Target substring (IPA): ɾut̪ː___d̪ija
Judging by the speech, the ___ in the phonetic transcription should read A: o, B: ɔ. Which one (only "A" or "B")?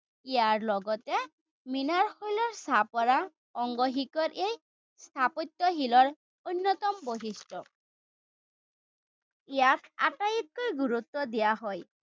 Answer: B